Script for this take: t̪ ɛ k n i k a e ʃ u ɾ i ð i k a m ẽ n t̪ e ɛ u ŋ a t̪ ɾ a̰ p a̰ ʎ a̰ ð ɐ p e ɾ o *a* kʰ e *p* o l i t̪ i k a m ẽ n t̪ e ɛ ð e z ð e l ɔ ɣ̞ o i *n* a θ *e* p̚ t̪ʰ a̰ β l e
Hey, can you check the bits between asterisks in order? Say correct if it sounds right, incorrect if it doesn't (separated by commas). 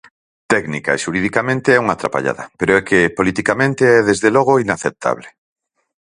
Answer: incorrect, correct, correct, correct